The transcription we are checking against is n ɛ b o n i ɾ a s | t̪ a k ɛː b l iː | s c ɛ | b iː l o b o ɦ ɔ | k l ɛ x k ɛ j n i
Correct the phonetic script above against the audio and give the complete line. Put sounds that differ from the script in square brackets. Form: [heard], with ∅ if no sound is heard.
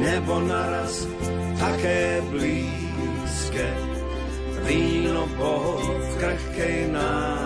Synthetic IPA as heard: n ɛ b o n [a] ɾ a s | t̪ a k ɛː b l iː | s [k] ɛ | [v] iː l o b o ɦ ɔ | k [ɾ] ɛ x k ɛ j n [a]